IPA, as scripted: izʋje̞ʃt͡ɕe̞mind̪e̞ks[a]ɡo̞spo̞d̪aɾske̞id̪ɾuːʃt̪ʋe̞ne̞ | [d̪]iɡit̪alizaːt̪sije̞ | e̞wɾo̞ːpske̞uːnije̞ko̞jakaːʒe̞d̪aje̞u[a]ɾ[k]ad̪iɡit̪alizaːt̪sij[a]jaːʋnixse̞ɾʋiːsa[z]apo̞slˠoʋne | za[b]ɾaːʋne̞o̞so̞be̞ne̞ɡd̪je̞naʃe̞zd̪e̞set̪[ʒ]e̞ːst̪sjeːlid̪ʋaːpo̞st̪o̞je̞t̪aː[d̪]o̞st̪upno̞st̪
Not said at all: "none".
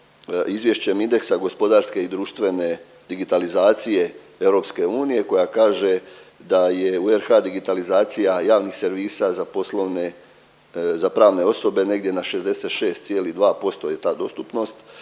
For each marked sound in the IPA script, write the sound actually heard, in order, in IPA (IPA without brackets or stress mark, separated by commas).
a, d̪, e, x, a, z, p, ʃ, d̪